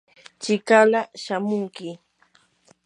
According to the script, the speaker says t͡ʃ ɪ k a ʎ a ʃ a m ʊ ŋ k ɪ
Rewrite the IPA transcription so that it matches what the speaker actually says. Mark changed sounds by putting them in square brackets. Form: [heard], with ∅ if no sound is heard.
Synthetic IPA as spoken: t͡ʃ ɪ k a [l] a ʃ a m ʊ ŋ k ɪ